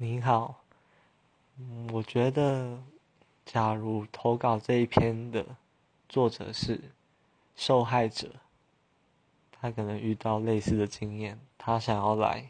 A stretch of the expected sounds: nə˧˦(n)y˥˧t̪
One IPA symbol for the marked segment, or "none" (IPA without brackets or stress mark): ŋ